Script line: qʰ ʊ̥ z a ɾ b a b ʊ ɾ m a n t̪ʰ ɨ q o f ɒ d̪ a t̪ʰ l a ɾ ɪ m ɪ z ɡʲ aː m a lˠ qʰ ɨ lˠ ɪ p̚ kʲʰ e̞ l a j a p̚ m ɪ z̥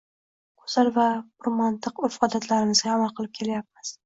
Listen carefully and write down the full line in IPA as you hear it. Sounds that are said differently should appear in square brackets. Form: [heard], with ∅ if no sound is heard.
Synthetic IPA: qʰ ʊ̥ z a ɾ [v] a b ʊ ɾ m a n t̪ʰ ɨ q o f ɒ d̪ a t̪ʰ l a ɾ ɪ m ɪ z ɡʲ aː m a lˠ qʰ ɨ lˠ ɪ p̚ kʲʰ e̞ l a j a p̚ m ɪ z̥